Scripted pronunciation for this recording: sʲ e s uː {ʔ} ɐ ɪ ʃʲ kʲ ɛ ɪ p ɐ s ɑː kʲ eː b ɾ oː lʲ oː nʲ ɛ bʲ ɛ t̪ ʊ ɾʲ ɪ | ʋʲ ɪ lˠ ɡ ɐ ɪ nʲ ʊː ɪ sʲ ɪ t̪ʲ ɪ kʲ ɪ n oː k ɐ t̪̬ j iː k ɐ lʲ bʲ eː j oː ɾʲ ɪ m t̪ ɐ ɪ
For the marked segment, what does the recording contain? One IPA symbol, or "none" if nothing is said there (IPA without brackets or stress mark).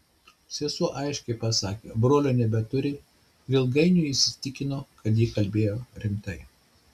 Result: ʔ